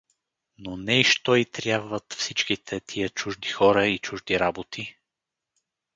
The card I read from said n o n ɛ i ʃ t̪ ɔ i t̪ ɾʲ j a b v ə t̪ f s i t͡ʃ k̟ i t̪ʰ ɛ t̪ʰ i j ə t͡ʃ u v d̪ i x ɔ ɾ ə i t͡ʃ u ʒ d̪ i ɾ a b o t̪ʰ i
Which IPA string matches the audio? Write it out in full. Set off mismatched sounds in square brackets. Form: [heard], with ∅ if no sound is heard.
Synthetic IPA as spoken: n o n ɛ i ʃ t̪ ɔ i t̪ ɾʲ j a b v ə t̪ f s i t͡ʃ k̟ i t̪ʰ ɛ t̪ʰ i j ə t͡ʃ u [ʒ] d̪ i x ɔ ɾ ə i t͡ʃ u ʒ d̪ i ɾ a b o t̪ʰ i